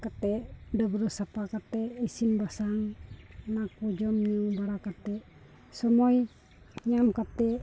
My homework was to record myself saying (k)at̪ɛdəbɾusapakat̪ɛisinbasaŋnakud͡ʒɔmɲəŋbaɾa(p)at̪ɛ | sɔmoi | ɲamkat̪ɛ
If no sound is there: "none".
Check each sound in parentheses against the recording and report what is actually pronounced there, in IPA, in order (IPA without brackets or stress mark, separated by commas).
k, k